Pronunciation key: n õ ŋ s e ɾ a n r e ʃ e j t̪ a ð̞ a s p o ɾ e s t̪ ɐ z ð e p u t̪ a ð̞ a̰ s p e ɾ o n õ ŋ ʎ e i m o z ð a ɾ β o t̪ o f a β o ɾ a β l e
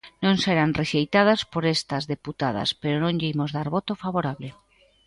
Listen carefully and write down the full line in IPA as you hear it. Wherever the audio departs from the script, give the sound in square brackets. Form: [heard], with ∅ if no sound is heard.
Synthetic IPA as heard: n õ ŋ s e ɾ a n r e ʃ e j t̪ a ð̞ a s p o ɾ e s t̪ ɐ z ð e p u t̪ a ð̞ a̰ s p e ɾ o n õ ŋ ʎ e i m o z ð a ɾ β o t̪ o f a β o ɾ a β l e